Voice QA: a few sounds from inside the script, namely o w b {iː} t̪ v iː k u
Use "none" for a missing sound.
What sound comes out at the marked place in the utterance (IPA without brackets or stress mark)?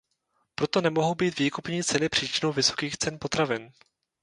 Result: iː